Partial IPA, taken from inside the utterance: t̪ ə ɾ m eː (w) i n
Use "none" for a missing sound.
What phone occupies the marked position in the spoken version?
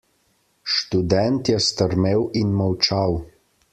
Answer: w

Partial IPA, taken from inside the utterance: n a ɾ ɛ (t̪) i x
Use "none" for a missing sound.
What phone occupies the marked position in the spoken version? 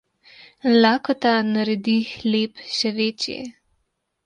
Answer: d̪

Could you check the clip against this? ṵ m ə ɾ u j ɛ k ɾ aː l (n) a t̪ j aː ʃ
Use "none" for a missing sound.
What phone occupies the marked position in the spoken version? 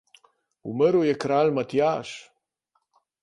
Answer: m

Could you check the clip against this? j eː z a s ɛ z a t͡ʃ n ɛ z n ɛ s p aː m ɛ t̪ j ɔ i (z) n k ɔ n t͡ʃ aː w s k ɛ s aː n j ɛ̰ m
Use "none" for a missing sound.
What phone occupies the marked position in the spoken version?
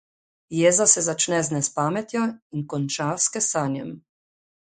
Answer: none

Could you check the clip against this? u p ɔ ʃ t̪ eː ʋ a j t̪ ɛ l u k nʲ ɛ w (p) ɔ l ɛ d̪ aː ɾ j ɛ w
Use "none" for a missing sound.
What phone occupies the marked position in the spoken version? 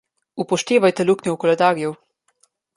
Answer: k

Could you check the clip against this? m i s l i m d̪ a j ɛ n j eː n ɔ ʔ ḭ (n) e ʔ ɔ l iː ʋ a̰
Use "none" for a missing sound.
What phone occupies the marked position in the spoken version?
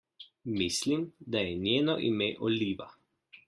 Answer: m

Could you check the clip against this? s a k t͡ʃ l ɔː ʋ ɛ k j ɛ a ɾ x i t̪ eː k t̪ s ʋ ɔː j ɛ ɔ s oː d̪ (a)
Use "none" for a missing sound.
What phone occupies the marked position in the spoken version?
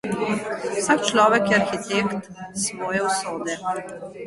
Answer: ɛ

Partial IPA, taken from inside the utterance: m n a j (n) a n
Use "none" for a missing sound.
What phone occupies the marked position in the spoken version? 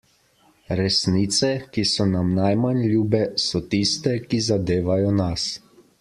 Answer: m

